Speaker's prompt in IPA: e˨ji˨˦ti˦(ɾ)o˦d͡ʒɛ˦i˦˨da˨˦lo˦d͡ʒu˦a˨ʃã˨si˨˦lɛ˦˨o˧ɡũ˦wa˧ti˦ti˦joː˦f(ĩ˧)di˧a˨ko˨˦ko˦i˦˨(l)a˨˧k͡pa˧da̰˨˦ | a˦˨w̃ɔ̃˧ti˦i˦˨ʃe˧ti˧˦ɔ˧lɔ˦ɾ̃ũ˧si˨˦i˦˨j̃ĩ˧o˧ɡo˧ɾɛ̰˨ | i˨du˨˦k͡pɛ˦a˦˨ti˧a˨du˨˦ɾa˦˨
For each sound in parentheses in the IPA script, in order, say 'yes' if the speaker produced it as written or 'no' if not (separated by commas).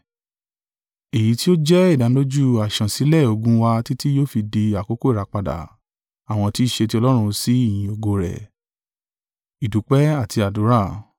no, no, no